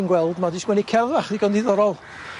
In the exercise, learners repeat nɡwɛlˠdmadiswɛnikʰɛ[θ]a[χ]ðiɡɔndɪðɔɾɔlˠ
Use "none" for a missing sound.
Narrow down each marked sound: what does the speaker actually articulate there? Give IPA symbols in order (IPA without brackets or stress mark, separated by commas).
ð, χ